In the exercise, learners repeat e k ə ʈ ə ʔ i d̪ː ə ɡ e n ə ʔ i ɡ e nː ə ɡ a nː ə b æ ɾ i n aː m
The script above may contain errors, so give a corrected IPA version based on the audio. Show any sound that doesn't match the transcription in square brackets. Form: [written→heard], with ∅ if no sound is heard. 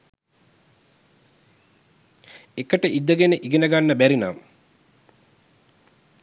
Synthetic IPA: e k ə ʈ ə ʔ i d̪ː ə ɡ e n ə ʔ i ɡ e [nː→n] ə ɡ a nː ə b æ ɾ i n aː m